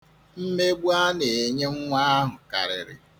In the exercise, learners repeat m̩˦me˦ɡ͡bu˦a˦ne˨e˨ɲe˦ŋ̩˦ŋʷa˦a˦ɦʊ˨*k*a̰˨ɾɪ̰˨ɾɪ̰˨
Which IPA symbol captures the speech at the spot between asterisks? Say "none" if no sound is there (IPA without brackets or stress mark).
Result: k